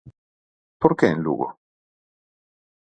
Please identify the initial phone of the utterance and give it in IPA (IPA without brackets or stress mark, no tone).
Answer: p